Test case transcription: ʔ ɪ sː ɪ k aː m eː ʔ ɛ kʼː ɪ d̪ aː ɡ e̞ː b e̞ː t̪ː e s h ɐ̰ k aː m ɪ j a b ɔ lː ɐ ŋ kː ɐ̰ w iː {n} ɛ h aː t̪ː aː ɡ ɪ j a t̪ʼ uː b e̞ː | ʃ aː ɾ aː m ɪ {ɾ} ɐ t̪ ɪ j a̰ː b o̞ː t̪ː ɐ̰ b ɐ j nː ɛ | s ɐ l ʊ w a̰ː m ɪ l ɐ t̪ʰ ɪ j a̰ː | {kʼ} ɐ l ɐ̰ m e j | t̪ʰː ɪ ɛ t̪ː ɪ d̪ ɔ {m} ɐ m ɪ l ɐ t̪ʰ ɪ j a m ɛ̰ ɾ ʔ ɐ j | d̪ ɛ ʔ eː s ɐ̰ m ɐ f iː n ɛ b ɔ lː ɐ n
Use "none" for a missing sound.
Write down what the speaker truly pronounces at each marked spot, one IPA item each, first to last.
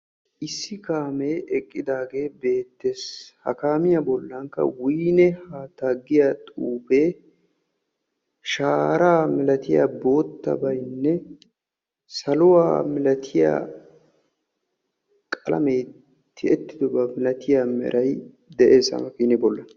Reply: n, l, kʼ, b

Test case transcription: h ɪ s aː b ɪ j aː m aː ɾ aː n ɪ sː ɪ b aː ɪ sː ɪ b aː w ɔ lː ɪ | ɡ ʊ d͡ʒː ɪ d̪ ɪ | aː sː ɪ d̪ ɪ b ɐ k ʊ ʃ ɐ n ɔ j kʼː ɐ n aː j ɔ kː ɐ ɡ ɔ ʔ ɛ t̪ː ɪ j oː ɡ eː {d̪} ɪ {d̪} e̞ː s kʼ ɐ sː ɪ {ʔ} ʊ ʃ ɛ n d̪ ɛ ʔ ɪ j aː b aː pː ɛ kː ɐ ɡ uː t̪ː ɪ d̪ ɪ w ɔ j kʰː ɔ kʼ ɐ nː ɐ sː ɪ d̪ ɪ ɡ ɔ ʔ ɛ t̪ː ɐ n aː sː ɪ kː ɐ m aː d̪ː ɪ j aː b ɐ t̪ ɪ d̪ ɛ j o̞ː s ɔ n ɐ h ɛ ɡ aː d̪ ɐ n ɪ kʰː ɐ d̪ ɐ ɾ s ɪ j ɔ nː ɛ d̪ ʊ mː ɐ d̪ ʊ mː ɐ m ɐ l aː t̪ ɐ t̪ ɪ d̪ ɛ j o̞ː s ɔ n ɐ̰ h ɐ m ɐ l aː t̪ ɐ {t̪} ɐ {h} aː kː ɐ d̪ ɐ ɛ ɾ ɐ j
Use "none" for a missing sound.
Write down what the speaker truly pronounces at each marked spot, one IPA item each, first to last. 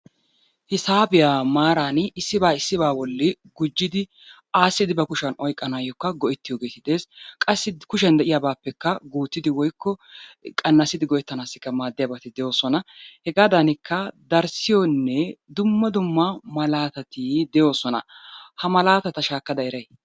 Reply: t̪, d̪, k, t̪, ʃ

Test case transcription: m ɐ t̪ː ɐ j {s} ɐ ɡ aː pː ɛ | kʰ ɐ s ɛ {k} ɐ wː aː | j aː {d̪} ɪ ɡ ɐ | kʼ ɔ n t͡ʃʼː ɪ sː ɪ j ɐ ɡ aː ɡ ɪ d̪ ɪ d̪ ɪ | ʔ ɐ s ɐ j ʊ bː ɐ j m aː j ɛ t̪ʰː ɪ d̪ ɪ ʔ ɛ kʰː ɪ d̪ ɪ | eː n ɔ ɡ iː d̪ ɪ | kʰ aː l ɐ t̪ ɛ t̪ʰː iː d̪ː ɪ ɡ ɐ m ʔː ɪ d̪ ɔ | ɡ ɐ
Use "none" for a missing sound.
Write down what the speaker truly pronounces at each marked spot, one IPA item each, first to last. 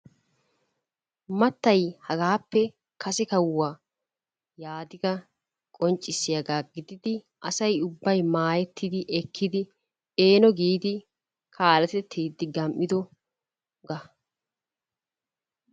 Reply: h, k, d̪

